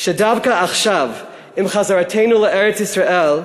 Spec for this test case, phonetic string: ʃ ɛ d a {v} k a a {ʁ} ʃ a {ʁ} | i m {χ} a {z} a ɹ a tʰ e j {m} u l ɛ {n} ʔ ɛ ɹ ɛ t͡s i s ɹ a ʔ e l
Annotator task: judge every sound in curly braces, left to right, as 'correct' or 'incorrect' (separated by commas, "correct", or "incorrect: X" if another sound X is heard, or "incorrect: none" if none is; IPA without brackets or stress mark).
correct, incorrect: χ, incorrect: v, correct, correct, incorrect: n, incorrect: none